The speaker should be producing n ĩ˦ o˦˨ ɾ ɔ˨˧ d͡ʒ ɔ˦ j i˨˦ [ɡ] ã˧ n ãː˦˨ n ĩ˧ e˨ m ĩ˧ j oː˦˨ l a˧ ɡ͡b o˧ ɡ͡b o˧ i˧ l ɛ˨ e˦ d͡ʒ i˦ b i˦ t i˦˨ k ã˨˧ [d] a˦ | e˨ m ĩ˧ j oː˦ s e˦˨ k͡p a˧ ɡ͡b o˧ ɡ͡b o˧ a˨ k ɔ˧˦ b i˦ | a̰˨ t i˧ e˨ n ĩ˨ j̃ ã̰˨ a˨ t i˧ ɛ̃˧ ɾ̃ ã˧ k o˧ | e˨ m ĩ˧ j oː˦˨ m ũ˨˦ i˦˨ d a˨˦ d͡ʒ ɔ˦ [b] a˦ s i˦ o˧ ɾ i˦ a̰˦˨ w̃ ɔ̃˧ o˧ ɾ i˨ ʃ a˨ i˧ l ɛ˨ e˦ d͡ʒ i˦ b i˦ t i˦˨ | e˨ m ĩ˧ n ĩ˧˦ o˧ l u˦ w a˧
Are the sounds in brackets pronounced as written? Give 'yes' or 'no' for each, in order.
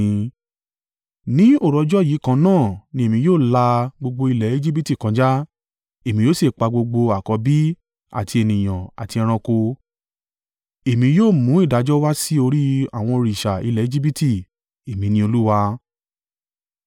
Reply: no, no, no

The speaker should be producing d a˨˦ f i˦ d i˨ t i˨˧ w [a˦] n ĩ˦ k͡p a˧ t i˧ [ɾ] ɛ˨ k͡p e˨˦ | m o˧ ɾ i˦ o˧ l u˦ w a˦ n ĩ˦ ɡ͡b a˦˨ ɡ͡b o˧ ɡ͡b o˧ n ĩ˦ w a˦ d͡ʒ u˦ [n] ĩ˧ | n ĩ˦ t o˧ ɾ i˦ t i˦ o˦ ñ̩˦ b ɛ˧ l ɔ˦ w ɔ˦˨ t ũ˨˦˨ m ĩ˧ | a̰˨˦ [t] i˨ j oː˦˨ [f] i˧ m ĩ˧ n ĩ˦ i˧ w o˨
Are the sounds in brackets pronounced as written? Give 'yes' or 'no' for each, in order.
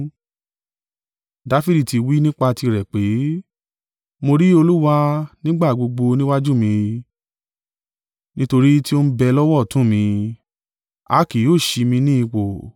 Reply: no, yes, no, no, no

